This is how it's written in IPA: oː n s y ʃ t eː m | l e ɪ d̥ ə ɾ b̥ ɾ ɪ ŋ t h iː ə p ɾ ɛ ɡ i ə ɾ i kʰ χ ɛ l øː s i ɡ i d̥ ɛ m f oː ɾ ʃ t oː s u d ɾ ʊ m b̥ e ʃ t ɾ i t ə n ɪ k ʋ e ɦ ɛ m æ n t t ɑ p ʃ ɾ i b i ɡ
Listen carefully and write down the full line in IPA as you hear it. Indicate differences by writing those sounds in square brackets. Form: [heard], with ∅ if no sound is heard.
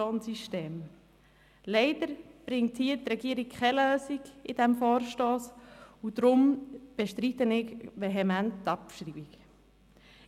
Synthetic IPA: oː n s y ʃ t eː m | l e ɪ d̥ ə ɾ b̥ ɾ ɪ ŋ t h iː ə [t] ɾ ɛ ɡ i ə ɾ i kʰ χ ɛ l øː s i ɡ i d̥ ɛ m f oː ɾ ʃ t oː s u d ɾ ʊ m b̥ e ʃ t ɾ i t ə n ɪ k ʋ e ɦ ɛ m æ n t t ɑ p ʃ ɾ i b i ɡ

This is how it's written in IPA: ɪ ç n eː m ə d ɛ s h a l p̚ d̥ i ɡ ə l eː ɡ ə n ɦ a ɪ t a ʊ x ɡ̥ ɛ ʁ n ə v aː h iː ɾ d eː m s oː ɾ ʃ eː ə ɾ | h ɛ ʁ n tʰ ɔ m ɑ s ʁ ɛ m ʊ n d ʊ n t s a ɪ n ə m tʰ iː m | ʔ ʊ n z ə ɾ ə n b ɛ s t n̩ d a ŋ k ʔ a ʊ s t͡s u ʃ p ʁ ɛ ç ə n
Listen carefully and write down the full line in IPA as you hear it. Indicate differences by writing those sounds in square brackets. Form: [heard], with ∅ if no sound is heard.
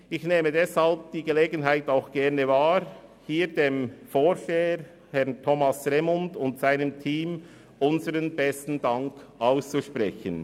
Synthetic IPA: ɪ ç n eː m ə d ɛ s h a l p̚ d̥ [iː] ɡ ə l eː ɡ ə n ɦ a ɪ t a ʊ x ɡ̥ ɛ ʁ n ə v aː h iː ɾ d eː m [f] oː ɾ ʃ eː ə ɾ | h ɛ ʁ n tʰ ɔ m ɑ s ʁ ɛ m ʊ n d ʊ n t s a ɪ n ə m tʰ iː m | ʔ ʊ n z ə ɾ ə n b ɛ s t n̩ d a ŋ k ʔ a ʊ s t͡s u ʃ p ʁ ɛ ç ə n

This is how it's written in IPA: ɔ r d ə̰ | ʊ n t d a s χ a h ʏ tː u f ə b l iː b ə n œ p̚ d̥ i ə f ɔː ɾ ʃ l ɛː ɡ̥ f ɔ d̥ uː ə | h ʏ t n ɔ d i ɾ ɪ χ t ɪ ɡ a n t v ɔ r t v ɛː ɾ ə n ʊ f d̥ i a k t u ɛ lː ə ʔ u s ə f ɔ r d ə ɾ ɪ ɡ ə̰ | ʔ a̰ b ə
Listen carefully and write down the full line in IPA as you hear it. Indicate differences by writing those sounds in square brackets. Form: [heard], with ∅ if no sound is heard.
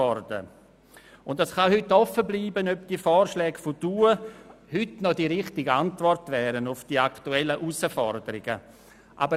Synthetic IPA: ɔ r d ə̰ | ʊ n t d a s χ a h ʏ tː [ɔ] f ə b l iː b ə n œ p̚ d̥ i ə f ɔː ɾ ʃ l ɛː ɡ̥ f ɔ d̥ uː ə | h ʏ t n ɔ d i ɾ ɪ χ t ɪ ɡ a n t v ɔ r t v ɛː ɾ ə n ʊ f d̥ i a k t u ɛ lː ə ʔ u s ə f ɔ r d ə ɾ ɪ ɡ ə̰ | ʔ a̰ b ə

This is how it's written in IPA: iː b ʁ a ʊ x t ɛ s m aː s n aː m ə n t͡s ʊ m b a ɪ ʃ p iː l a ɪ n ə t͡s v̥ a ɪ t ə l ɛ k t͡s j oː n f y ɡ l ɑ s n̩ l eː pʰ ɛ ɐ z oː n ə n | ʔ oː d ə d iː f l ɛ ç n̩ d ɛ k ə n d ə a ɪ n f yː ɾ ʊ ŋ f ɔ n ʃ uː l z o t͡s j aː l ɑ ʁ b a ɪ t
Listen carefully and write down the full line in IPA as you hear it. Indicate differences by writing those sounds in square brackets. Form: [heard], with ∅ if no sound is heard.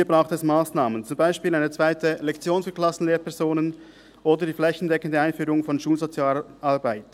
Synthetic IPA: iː b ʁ a ʊ x t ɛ s m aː s n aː m ə n t͡s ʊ m b a ɪ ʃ p iː l a ɪ n ə t͡s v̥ a ɪ t ə l ɛ k t͡s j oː n f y [k] l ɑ s n̩ l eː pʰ ɛ ɐ z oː n ə n | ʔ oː d ə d iː f l ɛ ç n̩ d ɛ k ə n d ə a ɪ n f yː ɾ ʊ ŋ f ɔ n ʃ uː l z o t͡s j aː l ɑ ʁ b a ɪ t

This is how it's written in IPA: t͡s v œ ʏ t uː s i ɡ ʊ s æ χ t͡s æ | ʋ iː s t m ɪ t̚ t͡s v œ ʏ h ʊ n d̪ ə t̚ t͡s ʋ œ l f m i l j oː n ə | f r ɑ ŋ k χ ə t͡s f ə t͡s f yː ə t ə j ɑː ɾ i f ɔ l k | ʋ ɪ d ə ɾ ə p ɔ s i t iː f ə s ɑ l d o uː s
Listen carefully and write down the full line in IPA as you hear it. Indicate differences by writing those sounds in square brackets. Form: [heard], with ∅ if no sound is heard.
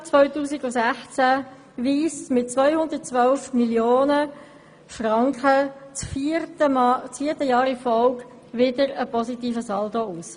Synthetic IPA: t͡s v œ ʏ t uː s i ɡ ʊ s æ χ t͡s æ | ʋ iː s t m ɪ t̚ t͡s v œ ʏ h ʊ n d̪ ə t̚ t͡s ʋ œ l f m i l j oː n ə | f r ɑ ŋ k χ ə t͡s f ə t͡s f [iː] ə t ə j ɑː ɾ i f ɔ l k | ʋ ɪ d ə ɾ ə p ɔ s i t iː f ə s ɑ l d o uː s

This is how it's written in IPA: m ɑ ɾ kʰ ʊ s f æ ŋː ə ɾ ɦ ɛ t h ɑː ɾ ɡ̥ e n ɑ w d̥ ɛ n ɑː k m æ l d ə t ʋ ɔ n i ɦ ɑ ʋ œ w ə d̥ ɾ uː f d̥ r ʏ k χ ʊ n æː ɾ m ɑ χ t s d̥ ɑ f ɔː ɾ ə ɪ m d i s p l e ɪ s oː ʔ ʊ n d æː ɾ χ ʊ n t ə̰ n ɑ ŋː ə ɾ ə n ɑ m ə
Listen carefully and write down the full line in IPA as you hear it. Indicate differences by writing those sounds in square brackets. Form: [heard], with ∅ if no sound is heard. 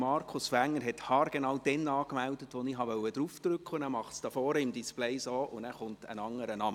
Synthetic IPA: m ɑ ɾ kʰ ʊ s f æ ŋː ə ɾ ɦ ɛ t h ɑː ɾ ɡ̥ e n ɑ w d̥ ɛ n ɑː k m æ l d ə t ʋ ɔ n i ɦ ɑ ʋ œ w ə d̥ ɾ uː f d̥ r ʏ k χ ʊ n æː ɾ m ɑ χ t s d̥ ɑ f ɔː ɾ ə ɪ m d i s p l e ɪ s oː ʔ ʊ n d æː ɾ χ ʊ n t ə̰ n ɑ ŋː ə ɾ ə n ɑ m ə

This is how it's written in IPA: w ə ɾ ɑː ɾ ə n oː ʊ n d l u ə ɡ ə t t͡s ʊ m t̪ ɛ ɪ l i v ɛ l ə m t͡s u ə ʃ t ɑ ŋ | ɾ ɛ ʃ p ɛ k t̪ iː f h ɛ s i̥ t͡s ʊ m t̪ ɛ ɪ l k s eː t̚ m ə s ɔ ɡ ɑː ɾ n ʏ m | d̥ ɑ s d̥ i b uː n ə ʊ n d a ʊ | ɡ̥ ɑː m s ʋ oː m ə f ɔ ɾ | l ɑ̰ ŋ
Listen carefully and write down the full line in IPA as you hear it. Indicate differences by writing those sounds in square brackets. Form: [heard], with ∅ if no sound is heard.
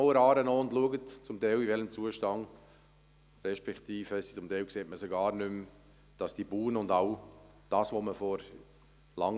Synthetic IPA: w ə ɾ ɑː ɾ ə n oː ʊ n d l u ə ɡ ə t t͡s ʊ m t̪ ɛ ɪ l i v ɛ l ə m t͡s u ə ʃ t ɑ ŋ | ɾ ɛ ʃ p ɛ k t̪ iː f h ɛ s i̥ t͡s ʊ m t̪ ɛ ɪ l k s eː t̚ m ə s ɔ ɡ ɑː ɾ n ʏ m | d̥ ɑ s d̥ i b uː n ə ʊ n d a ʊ | [d̥] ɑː [∅] s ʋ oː m ə f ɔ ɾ | l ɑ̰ ŋ

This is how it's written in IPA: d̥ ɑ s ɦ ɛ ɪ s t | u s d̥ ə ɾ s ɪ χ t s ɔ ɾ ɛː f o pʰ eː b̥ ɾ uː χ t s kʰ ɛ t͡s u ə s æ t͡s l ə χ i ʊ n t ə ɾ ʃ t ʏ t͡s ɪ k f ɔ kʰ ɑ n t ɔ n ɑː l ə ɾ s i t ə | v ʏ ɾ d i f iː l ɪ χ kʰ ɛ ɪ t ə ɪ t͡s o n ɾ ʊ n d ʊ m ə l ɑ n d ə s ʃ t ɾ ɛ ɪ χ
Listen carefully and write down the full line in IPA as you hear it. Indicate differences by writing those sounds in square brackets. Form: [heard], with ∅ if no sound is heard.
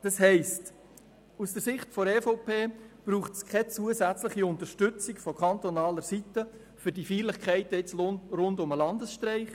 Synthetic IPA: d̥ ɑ s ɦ ɛ ɪ s t | u s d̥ ə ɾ s ɪ χ t [f] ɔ ɾ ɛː f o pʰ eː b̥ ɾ uː χ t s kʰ ɛ t͡s u ə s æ t͡s l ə χ i ʊ n t ə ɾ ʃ t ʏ t͡s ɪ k f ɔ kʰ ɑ n t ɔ n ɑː l ə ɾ s i t ə | [f] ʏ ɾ d i f iː l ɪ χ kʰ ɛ ɪ t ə ɪ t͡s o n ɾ ʊ n d ʊ m ə l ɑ n d ə s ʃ t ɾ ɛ ɪ χ

